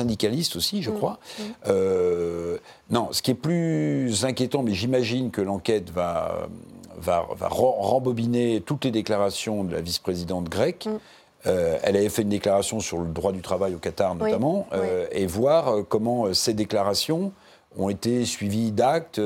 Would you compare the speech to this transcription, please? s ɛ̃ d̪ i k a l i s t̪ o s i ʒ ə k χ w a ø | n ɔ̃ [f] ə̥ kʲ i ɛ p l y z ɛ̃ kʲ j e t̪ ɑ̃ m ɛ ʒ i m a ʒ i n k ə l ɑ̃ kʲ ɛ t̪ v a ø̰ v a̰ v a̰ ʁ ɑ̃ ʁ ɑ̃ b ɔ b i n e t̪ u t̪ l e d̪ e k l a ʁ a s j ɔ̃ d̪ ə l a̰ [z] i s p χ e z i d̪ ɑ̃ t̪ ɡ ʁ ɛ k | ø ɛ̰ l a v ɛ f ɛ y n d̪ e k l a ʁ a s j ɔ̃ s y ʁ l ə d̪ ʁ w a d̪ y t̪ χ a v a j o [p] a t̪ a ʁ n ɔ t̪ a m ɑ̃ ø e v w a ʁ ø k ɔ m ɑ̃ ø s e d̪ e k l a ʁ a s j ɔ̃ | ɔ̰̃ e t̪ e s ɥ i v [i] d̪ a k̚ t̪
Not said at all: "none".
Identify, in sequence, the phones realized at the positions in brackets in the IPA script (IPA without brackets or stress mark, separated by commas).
s, v, k, i